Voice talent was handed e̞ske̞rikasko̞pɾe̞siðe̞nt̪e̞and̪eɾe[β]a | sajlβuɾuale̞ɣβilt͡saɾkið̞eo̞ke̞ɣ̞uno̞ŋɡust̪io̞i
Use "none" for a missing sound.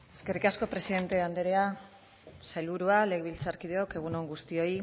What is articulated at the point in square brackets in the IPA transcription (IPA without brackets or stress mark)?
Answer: none